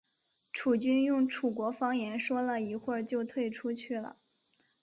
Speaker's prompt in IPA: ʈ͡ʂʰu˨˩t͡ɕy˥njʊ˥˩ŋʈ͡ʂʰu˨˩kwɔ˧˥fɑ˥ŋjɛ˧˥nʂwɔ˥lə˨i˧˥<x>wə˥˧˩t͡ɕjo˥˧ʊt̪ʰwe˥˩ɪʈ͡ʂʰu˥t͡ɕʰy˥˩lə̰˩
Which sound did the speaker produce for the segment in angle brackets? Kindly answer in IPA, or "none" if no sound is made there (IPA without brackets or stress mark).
x